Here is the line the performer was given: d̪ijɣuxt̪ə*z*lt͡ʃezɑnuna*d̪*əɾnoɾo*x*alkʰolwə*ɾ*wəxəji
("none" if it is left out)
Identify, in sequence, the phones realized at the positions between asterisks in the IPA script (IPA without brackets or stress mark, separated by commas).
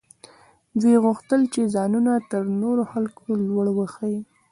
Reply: none, t̪, x, ɽ